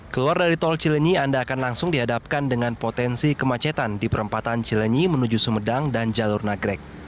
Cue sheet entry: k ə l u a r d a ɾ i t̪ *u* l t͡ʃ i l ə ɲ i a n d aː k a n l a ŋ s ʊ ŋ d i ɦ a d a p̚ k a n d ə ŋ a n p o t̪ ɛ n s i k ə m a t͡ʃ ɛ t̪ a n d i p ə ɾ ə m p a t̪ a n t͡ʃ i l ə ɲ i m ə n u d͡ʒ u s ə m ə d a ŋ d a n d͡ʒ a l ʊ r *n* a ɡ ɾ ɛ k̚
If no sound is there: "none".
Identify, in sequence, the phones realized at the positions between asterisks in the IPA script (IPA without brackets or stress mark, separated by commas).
ɔ, n